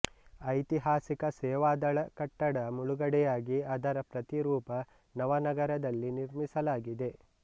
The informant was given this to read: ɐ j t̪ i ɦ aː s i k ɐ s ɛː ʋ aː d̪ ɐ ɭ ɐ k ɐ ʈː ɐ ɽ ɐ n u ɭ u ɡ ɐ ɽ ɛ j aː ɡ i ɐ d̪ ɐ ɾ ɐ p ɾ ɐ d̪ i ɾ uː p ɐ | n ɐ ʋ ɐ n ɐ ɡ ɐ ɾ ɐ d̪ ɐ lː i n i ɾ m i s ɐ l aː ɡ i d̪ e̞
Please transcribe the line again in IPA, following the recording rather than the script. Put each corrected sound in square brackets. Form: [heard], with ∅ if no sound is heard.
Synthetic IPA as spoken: ɐ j t̪ i ɦ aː s i k ɐ s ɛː ʋ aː d̪ ɐ ɭ ɐ k ɐ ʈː ɐ ɽ ɐ [m] u ɭ u ɡ ɐ ɽ ɛ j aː ɡ i ɐ d̪ ɐ ɾ ɐ p ɾ ɐ [t̪] i ɾ uː p ɐ | n ɐ ʋ ɐ n ɐ ɡ ɐ ɾ ɐ d̪ ɐ lː i n i ɾ m i s ɐ l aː ɡ i d̪ e̞